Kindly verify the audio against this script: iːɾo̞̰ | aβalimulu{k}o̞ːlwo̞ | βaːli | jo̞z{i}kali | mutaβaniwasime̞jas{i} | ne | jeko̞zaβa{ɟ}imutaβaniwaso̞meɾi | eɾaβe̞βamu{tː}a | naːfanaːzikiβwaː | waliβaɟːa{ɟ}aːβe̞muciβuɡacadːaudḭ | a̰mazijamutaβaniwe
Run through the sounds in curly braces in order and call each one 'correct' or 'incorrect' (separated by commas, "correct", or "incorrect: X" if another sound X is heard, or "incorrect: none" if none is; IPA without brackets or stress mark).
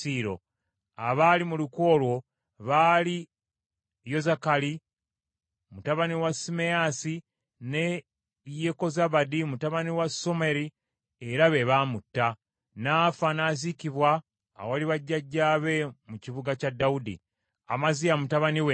correct, incorrect: a, correct, incorrect: d, correct, incorrect: ɟː